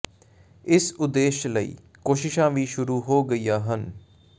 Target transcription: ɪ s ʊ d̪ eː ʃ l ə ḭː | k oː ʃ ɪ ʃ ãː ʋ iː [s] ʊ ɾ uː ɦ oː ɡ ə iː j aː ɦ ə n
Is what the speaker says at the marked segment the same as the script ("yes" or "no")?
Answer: no